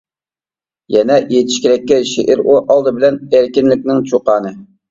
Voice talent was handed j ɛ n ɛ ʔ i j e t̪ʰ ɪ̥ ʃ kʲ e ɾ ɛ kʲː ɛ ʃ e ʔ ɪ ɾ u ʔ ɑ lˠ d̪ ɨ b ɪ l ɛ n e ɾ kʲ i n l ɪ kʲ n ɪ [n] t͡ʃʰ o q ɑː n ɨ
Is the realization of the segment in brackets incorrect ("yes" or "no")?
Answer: yes